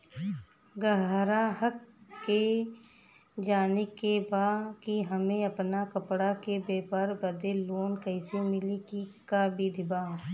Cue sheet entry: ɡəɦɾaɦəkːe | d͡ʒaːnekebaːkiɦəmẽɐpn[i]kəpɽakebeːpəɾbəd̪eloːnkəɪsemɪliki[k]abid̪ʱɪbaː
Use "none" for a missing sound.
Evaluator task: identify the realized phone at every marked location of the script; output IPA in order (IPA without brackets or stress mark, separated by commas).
a, k